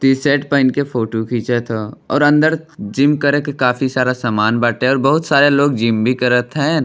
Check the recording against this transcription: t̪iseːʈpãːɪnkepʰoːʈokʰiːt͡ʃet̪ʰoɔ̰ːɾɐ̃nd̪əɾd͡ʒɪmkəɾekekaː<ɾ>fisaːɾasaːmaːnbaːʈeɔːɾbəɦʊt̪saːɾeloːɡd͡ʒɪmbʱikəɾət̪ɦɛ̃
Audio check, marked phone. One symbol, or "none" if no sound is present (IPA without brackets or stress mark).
none